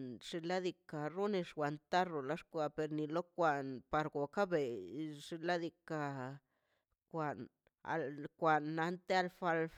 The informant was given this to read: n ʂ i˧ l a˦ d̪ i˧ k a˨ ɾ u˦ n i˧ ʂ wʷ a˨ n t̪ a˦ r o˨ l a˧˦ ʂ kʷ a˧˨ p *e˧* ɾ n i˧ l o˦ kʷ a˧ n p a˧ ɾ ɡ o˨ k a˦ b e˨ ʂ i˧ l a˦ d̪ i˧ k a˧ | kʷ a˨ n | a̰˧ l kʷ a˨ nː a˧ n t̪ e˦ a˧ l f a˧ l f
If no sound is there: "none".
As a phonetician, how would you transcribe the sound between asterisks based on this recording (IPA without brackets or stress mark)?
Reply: e˧